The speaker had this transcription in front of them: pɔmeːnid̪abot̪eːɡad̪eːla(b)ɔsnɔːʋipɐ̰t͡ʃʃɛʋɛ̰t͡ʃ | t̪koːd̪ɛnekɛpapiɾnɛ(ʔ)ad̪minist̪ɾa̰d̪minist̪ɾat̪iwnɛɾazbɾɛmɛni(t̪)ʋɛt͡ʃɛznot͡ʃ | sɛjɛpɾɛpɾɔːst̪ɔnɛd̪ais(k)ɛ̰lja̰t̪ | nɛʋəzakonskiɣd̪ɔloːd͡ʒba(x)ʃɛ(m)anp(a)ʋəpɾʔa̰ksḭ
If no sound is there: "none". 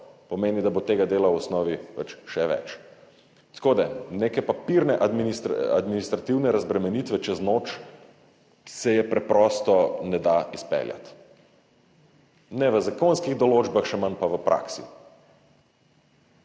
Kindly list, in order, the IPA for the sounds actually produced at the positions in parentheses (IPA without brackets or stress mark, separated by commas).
w, ʔ, t̪, p, x, m, a